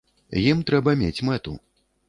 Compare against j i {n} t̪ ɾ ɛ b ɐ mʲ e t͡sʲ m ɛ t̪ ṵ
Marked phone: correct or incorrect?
incorrect